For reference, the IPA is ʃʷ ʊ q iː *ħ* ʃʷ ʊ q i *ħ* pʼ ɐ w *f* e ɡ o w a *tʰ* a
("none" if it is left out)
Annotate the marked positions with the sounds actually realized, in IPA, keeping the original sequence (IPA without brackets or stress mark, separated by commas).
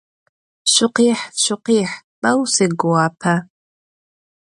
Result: ħ, ħ, s, pʰ